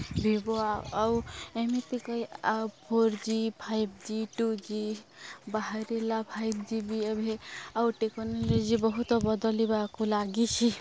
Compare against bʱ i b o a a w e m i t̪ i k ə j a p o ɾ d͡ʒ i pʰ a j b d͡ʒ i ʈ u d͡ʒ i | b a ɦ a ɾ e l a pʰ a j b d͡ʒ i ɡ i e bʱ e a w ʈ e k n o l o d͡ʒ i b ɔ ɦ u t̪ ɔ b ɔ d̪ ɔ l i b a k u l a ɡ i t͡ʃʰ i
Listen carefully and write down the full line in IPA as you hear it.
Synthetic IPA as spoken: bʱ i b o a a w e m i t̪ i k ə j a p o ɾ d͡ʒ i pʰ a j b d͡ʒ i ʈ u d͡ʒ i | b a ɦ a ɾ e l a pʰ a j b d͡ʒ i b i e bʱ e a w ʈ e k n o l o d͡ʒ i b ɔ ɦ u t̪ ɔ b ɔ d̪ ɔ l i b a k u l a ɡ i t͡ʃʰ i